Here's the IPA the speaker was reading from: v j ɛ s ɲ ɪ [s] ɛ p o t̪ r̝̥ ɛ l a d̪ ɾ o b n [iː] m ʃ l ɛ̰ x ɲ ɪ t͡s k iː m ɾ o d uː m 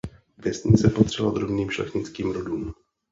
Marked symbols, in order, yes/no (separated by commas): no, yes